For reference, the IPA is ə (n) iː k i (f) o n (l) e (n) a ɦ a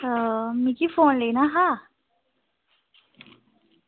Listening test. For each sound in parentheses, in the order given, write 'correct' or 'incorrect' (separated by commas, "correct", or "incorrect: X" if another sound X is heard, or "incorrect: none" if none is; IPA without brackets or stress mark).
incorrect: m, correct, correct, correct